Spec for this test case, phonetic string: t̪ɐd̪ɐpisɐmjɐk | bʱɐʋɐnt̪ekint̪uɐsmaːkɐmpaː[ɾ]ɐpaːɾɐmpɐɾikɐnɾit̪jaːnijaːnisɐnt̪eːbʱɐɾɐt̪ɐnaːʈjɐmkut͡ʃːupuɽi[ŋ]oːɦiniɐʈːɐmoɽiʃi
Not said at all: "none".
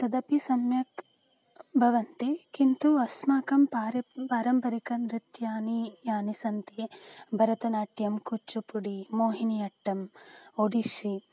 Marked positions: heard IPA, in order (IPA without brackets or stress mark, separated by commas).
ɾ, m